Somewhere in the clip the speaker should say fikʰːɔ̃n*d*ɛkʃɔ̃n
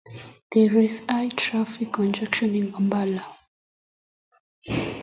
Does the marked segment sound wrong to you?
yes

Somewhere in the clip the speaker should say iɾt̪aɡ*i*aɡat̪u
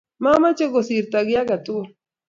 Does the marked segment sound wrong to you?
yes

